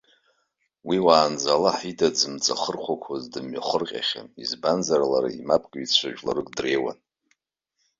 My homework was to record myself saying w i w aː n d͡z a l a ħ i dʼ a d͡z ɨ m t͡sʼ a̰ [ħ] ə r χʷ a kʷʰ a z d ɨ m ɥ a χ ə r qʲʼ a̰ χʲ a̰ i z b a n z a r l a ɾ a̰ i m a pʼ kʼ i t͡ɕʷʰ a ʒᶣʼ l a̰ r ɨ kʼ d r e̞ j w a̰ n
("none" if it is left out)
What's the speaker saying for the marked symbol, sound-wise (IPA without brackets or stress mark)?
χ